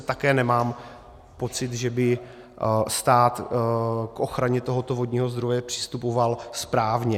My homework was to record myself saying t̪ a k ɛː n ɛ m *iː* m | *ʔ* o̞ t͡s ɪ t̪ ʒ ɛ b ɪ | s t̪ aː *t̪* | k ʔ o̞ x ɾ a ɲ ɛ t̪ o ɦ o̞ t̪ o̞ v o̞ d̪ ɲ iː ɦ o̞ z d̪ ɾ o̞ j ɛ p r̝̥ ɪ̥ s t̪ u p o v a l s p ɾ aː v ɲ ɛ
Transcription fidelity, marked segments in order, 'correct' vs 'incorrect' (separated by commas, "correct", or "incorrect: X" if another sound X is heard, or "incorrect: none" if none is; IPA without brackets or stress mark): incorrect: aː, incorrect: p, correct